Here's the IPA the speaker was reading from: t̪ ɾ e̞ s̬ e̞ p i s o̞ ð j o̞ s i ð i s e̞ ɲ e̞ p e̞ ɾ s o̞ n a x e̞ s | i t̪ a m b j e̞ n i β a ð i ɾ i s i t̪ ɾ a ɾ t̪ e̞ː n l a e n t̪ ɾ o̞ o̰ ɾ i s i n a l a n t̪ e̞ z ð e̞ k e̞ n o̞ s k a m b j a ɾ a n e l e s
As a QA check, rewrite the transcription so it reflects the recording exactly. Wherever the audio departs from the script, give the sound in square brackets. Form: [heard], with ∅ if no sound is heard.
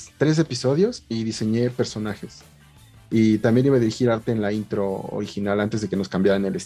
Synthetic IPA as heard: t̪ ɾ e̞ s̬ e̞ p i s o̞ ð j o̞ s i ð i s e̞ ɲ e̞ p e̞ ɾ s o̞ n a x e̞ s | i t̪ a m b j e̞ n i β a ð i ɾ i [x] i [∅] ɾ a ɾ t̪ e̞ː n l a [i] n t̪ ɾ o̞ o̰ ɾ i [x] i n a l a n t̪ e̞ z ð e̞ k e̞ n o̞ s k a m b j a ɾ a n e l e s